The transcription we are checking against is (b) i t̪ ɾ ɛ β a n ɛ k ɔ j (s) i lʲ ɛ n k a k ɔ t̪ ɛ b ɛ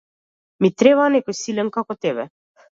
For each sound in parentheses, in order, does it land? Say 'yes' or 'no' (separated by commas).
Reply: no, yes